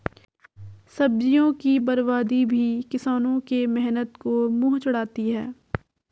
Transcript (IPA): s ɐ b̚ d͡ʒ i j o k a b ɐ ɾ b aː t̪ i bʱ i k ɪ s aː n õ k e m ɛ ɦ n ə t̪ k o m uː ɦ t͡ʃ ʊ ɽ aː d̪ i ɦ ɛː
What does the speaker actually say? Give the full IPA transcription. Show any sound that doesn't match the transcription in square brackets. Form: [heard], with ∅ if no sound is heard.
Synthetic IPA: s ɐ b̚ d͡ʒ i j [õ] k [i] b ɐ ɾ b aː [d̪] i bʱ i k ɪ s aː n õ k e m ɛ ɦ n ə t̪ k o m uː ɦ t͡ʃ ʊ ɽ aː [t̪] i ɦ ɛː